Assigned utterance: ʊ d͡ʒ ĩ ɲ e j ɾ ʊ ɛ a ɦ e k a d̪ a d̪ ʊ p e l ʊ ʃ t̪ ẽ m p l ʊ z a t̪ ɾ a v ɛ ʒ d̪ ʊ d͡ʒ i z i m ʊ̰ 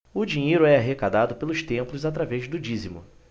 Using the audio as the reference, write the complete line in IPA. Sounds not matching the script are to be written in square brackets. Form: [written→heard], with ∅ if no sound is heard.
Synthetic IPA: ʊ d͡ʒ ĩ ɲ e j ɾ ʊ ɛ a ɦ e k a d̪ a d̪ ʊ p e l ʊ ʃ t̪ ẽ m p l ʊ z a t̪ ɾ a v ɛ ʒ d̪ ʊ d͡ʒ i z i m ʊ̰

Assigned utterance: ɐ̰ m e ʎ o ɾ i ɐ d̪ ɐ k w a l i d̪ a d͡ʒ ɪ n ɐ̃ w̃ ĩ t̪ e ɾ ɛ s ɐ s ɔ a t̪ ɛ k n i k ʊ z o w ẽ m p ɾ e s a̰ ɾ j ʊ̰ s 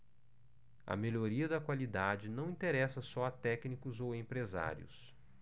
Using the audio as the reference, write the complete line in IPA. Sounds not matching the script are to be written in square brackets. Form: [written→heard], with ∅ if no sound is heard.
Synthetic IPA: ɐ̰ m e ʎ o ɾ i ɐ d̪ ɐ k w a l i d̪ a d͡ʒ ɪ n ɐ̃ w̃ ĩ t̪ e ɾ ɛ s ɐ s ɔ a t̪ ɛ k n i k ʊ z o w ẽ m p ɾ e [s→z] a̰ ɾ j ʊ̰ s

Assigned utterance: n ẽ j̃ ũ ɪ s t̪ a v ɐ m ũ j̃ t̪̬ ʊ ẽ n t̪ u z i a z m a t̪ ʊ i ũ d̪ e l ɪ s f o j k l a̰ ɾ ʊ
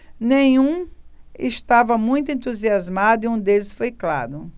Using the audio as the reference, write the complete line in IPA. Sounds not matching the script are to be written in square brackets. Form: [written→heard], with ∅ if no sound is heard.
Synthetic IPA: n ẽ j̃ ũ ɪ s t̪ a v ɐ m ũ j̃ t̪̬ ʊ ẽ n t̪ u z i a z m a [t̪→d̪] ʊ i ũ d̪ e l ɪ s f o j k l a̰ ɾ ʊ

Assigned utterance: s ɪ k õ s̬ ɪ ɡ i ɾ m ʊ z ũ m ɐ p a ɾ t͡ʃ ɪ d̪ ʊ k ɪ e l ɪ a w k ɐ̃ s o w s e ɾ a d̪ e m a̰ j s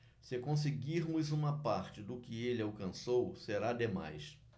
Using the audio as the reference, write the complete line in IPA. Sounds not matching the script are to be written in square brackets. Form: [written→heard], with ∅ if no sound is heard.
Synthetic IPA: s ɪ k õ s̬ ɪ ɡ i ɾ m ʊ z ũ m ɐ p a ɾ t͡ʃ ɪ d̪ ʊ k ɪ e l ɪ a w k ɐ̃ s o w s e ɾ a d̪ e m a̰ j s

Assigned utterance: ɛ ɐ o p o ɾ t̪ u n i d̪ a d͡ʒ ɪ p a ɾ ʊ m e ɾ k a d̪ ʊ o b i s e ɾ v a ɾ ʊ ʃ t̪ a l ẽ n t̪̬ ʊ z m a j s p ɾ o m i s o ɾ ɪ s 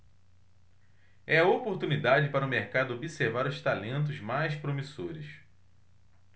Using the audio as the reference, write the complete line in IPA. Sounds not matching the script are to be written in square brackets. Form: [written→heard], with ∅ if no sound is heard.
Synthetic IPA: ɛ ɐ o p o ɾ t̪ u n i d̪ a d͡ʒ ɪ p a ɾ ʊ m e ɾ k a d̪ ʊ o b i s e ɾ v a ɾ ʊ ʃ t̪ a l ẽ n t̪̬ ʊ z m a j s p ɾ o m i s o ɾ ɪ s

